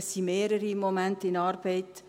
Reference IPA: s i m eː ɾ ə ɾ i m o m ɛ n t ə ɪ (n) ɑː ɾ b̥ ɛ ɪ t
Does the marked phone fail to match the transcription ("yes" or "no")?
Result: no